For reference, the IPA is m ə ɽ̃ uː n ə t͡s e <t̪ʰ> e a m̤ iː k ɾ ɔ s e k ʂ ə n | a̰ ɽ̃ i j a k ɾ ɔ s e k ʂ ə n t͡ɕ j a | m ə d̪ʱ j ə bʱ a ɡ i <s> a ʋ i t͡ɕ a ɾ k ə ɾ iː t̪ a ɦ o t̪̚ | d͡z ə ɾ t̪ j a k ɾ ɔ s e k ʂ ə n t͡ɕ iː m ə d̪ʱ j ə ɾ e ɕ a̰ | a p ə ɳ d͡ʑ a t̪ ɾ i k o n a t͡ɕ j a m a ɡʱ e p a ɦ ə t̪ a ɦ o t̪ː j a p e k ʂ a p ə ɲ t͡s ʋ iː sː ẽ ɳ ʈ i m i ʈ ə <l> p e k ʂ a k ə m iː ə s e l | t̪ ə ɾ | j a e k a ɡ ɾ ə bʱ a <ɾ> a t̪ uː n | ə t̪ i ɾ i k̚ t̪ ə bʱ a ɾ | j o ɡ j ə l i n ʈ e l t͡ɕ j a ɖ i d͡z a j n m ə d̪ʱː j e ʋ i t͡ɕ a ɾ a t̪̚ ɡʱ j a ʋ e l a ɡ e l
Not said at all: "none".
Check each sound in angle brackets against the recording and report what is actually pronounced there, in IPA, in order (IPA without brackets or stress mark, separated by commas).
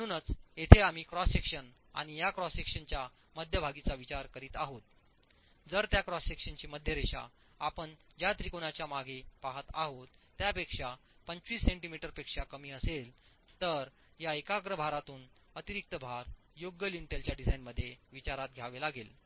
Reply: t̪ʰ, t͡s, ɾ, ɾ